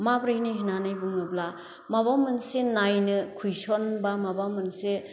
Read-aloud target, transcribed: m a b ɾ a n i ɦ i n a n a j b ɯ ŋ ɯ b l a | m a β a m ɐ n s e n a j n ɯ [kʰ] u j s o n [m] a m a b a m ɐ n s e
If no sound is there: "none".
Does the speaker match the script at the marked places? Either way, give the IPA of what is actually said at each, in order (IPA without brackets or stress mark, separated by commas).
kʰ, b